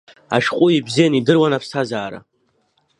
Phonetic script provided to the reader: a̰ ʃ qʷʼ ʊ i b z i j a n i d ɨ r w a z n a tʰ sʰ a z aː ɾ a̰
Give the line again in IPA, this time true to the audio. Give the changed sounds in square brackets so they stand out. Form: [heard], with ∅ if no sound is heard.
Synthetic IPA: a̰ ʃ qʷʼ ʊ i b z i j a n i d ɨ r w a [∅] n a [pʰ] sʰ a z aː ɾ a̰